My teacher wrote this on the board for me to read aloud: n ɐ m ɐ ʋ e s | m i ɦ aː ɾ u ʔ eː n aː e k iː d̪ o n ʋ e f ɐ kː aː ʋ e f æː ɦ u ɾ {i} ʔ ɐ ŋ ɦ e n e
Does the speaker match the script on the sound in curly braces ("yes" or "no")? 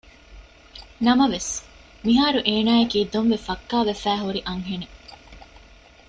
yes